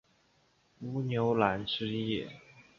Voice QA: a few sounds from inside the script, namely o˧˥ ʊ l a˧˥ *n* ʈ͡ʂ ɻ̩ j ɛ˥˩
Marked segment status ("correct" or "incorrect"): correct